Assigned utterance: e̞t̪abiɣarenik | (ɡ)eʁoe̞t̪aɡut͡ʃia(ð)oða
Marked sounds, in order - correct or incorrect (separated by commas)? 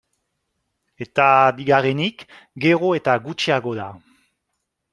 correct, incorrect